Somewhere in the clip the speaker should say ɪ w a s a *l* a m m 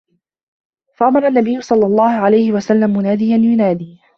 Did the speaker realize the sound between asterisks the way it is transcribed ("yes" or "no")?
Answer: no